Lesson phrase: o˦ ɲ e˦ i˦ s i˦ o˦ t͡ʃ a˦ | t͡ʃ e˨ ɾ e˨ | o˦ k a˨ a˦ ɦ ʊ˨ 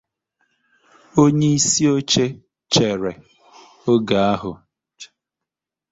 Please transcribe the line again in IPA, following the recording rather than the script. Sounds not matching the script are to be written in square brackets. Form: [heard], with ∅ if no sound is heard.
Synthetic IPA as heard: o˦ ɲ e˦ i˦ s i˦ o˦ t͡ʃ [e˦] | t͡ʃ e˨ ɾ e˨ | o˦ [ɡ] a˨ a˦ ɦ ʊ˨